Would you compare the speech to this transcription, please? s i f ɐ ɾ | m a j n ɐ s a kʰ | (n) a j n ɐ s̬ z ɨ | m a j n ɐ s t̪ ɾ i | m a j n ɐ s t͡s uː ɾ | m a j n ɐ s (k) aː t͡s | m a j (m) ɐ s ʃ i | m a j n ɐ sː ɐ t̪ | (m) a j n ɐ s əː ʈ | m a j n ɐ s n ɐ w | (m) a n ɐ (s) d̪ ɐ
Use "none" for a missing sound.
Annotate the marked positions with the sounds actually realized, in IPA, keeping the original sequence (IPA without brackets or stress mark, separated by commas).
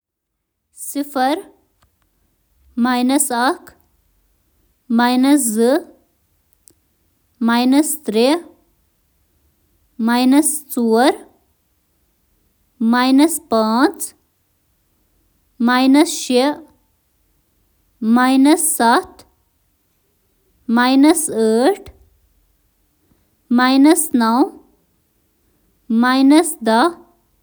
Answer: m, p, n, m, m, s